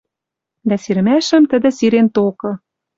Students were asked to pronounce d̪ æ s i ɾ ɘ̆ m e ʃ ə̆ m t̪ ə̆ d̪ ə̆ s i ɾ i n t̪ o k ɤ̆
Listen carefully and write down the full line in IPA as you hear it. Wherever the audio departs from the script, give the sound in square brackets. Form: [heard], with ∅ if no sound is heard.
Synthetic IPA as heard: d̪ æ s i ɾ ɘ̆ m [æ] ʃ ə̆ m t̪ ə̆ d̪ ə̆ s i ɾ [e] n t̪ o k ɤ̆